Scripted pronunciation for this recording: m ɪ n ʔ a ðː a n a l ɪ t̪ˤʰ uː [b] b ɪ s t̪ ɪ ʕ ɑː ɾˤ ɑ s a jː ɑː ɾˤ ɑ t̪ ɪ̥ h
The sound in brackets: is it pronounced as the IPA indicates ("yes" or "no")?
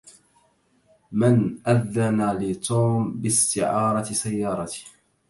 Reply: no